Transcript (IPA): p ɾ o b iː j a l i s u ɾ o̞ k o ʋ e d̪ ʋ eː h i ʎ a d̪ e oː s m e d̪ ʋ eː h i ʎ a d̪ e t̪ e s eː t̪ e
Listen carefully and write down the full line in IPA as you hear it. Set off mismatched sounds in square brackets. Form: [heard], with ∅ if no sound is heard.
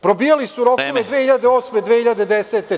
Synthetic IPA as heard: p ɾ o b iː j a l i s u ɾ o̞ k o ʋ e d̪ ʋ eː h i ʎ a d̪ e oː s m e d̪ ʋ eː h i ʎ a d̪ e [d̪] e s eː t̪ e